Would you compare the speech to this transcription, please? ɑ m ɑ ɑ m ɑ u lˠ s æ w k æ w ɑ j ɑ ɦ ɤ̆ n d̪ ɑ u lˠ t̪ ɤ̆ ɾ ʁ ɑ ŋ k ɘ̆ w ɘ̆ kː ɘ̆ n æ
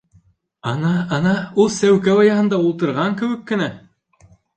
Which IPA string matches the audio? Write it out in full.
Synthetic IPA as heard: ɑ n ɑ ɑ n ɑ u lˠ s æ w k æ w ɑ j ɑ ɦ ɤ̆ n d̪ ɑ u lˠ t̪ ɤ̆ ɾ ʁ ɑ ŋ k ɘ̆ w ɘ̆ kː ɘ̆ n æ